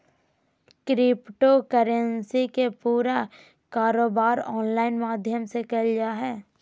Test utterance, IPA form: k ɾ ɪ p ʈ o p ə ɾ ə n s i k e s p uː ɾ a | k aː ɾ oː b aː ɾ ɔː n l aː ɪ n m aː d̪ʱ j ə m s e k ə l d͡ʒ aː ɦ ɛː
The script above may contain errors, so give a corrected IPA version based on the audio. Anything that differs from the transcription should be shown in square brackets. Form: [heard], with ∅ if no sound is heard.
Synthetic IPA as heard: k ɾ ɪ p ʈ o [k] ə ɾ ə n s i k e [∅] p uː ɾ a | k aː ɾ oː b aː ɾ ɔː n l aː ɪ n m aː d̪ʱ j ə m s e k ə l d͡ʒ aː ɦ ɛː